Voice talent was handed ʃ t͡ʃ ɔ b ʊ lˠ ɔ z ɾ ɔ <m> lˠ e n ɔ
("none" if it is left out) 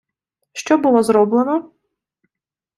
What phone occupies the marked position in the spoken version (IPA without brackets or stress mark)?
b